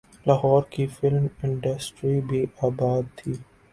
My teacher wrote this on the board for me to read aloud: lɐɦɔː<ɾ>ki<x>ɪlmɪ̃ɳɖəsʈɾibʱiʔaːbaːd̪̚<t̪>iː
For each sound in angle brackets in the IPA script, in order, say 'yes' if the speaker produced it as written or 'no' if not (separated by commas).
yes, no, no